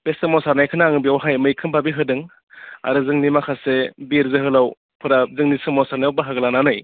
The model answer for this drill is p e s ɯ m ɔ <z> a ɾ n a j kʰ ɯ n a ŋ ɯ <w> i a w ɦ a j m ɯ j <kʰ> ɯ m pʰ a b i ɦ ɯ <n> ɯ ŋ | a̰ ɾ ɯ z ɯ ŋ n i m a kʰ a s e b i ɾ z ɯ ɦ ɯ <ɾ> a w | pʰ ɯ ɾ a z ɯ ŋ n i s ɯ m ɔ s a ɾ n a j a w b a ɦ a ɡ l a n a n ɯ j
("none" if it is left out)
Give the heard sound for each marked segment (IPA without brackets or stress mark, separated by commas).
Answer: s, b, kʰ, d, l